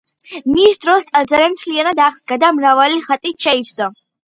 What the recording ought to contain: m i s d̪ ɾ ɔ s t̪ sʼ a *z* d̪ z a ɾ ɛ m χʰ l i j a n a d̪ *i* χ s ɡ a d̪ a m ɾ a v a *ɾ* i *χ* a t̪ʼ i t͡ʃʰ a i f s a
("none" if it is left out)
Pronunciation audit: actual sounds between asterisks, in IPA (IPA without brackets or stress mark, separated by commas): none, a, l, χ